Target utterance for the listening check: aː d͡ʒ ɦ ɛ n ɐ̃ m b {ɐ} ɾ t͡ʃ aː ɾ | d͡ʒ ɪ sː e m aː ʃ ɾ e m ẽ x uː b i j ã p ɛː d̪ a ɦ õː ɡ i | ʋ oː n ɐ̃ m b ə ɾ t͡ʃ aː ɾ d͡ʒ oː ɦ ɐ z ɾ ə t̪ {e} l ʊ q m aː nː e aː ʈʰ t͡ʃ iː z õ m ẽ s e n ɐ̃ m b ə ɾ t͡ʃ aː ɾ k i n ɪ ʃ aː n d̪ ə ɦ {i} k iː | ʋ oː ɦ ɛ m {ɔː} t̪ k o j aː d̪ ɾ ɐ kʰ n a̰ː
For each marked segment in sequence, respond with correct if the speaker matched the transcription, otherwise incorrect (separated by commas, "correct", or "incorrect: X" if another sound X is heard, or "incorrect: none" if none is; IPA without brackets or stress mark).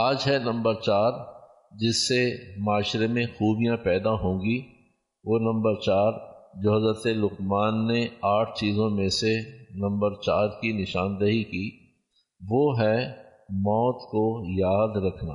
incorrect: ə, correct, correct, correct